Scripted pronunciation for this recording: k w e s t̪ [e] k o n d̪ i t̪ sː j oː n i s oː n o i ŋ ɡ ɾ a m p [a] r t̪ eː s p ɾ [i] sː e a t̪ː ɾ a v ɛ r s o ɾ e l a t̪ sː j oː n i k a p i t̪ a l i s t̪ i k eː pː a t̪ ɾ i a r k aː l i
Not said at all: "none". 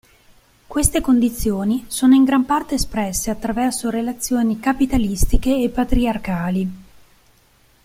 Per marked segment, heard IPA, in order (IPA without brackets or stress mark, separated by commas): e, a, ɛ